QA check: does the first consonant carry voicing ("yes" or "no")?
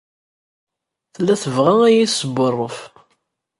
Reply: no